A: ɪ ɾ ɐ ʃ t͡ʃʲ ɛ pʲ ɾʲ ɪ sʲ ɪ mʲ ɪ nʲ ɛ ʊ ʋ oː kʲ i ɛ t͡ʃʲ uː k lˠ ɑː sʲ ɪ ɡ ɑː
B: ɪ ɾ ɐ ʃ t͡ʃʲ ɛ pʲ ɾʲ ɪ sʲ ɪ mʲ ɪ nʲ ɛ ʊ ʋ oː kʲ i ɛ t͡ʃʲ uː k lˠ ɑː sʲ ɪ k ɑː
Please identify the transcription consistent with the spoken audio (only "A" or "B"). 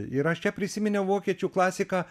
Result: B